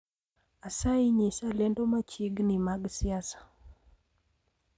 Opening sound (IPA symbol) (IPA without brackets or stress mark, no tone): a